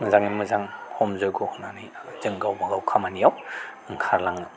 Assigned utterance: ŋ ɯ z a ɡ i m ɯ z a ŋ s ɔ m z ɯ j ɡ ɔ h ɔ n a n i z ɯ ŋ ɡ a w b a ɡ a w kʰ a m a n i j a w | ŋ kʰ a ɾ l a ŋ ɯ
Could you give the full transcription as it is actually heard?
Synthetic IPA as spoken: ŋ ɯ z a ŋ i m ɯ z a ŋ h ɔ m z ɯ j ɡ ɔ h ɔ n a n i z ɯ ŋ ɡ a w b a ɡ a w kʰ a m a n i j a w | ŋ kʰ a ɾ l a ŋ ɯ